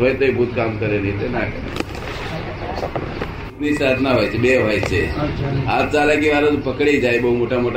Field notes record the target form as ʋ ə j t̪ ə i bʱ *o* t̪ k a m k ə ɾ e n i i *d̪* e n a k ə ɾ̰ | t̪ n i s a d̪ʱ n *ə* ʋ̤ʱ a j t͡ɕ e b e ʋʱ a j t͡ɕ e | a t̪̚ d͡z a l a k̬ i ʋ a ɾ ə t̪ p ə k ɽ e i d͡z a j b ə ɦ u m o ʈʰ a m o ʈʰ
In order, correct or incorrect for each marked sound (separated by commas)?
incorrect, incorrect, incorrect